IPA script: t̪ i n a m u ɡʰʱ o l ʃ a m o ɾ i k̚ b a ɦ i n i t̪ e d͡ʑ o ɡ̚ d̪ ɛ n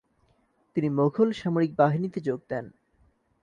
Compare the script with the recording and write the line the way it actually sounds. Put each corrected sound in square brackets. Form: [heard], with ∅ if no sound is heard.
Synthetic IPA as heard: t̪ i n [i] m [o] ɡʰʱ o l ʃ a m o ɾ i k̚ b a ɦ i n i t̪ e d͡ʑ o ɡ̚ d̪ ɛ n

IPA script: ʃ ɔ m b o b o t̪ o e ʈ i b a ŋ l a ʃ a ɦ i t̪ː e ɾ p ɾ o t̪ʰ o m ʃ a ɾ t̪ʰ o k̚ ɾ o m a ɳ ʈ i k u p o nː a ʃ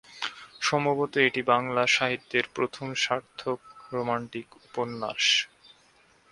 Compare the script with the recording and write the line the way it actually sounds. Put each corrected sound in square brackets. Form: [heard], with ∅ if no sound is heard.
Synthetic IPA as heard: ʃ ɔ m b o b o t̪ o e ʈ i b a ŋ l a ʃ a ɦ i t̪ː e ɾ p ɾ o t̪ʰ o m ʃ a ɾ t̪ʰ o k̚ ɾ o m a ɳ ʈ i k u p o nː a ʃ

